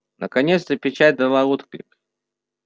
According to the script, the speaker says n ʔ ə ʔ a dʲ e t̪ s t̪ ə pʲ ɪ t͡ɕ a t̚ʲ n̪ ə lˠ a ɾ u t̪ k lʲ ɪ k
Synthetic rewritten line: n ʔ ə k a nʲ e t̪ s t̪ ə pʲ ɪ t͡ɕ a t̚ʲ d̪ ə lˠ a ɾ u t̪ k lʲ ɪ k

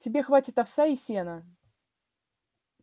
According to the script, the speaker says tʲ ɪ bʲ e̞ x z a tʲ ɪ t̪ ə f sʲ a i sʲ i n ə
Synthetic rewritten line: tʲ ɪ bʲ e̞ x v a tʲ ɪ t̪ ɐ f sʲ a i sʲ e n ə

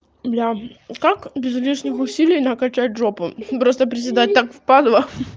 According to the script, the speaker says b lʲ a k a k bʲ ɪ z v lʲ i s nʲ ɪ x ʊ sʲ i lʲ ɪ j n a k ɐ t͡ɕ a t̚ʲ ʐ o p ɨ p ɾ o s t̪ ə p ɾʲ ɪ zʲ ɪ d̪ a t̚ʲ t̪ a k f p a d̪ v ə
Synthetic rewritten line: b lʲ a k a k bʲ ɪ z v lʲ i ʂ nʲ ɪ x ʊ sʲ i lʲ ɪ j n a k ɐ t͡ɕ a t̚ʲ ʐ o p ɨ p ɾ o s t̪ ə p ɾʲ ɪ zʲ ɪ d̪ a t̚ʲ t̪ a k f p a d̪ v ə

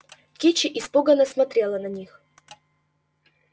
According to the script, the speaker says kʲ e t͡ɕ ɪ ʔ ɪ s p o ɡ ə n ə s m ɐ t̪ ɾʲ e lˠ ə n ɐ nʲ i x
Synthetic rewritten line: kʲ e t͡ɕ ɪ ʔ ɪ s p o ɡ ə n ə s m ɐ t̪ ɾʲ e lˠ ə n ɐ nʲ i x

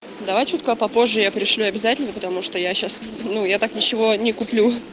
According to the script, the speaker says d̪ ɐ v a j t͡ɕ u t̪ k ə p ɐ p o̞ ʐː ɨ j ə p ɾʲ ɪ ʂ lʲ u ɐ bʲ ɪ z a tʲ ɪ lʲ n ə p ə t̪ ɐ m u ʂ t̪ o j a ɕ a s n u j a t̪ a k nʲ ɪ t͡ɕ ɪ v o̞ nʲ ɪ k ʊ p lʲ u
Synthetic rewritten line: d̪ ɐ v a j t͡ɕ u t̪ k ə p ɐ p o̞ ʐː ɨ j a p ɾʲ ɪ ʂ lʲ u ɐ bʲ ɪ z a tʲ ɪ lʲ n ə p ə t̪ ɐ m u ʂ t̪ o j a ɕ a s n u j a t̪ a k nʲ ɪ t͡ɕ ɪ v o̞ nʲ ɪ k ʊ p lʲ u

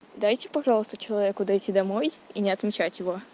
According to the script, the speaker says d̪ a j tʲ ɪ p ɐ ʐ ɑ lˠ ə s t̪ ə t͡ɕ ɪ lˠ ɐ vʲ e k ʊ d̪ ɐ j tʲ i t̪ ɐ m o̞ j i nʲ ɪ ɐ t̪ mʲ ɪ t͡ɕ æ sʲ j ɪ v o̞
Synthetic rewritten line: d̪ a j tʲ ɪ p ɐ ʐ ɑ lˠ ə s t̪ ə t͡ɕ ɪ lˠ ɐ vʲ e k ʊ d̪ ɐ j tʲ i d̪ ɐ m o̞ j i nʲ ɪ ɐ t̪ mʲ ɪ t͡ɕ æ tʲ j ɪ v o̞

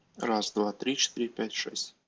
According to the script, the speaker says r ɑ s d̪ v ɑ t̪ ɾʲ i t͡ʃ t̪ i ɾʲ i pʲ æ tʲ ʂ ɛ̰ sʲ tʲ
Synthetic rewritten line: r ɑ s d̪ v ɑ t̪ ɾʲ i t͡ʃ t̪ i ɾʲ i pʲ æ tʲ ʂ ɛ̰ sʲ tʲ

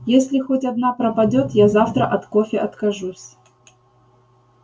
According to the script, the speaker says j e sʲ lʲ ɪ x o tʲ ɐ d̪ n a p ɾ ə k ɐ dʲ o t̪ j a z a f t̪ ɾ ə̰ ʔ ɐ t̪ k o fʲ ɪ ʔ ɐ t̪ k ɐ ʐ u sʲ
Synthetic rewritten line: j e sʲ lʲ ɪ x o tʲ ɐ d̪ n a p ɾ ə p ɐ dʲ o t̪ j a z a f t̪ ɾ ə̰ ʔ ɐ t̪ k o fʲ ɪ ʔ ɐ t̪ k ɐ ʐ u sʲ

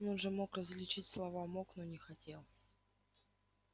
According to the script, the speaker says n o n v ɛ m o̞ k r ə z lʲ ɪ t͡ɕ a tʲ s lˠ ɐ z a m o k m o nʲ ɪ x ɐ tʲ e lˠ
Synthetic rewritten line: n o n ʐ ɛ m o̞ k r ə z lʲ ɪ t͡ɕ i tʲ s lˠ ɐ v a m o k n o nʲ ɪ x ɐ tʲ e lˠ

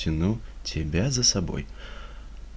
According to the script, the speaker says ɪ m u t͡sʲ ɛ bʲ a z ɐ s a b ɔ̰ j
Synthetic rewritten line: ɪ n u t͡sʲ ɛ bʲ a z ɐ s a b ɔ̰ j

